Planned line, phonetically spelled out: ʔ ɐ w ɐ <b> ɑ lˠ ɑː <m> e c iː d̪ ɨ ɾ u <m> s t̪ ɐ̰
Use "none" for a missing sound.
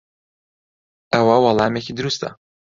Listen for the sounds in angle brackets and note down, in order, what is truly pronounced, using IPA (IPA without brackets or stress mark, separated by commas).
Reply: w, m, none